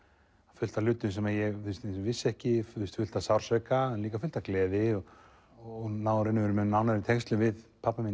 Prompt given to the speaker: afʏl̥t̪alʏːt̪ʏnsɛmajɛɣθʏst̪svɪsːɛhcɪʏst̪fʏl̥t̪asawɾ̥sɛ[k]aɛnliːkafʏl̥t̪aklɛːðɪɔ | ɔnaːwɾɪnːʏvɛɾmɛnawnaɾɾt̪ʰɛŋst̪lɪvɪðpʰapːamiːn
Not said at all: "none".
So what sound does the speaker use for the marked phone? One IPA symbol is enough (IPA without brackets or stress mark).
k